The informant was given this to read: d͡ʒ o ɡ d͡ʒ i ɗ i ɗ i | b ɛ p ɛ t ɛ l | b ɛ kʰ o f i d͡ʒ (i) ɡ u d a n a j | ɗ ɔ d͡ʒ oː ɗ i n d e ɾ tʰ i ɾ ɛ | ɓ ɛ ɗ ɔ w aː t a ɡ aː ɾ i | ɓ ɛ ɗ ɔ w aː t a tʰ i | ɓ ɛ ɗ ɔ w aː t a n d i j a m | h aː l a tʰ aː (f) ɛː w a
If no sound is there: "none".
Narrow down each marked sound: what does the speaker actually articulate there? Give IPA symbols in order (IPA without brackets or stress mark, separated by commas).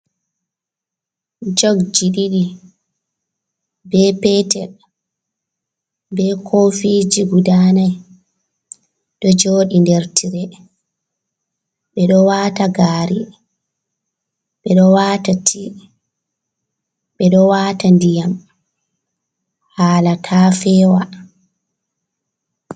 i, f